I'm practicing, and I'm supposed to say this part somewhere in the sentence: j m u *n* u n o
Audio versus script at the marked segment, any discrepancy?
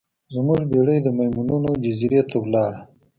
no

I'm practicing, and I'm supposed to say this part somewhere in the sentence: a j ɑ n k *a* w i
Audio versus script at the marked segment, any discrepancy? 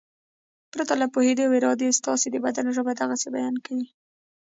no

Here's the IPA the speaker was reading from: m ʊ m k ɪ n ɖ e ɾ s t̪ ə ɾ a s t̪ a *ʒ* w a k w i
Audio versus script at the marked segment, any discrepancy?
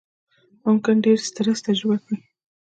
no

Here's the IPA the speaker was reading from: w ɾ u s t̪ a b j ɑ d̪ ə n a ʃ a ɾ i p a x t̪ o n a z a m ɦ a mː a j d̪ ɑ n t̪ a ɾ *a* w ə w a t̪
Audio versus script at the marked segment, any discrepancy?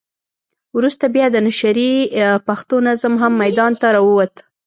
yes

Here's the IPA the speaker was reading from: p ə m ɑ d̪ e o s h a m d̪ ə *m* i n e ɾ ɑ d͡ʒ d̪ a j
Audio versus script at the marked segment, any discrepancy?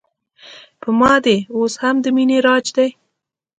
no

